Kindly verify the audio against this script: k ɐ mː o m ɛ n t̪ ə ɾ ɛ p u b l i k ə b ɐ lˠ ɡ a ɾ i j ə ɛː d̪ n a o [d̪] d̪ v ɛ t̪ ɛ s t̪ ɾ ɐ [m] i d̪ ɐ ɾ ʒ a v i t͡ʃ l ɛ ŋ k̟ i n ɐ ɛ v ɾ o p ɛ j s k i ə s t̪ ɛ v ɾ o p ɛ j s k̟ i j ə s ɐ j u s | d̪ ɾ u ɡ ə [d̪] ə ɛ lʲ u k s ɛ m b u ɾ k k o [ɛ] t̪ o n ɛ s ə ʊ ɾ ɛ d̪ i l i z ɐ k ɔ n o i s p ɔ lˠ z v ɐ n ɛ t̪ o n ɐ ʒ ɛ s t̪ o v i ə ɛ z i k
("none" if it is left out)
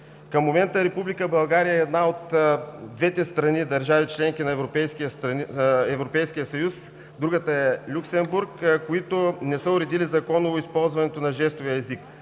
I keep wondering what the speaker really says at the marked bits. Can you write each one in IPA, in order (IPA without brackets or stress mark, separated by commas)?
t̪, n, t̪, i